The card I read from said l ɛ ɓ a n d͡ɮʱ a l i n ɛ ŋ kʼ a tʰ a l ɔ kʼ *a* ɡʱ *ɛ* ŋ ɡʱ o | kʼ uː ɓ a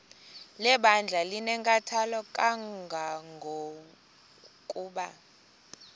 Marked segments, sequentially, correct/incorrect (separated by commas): correct, incorrect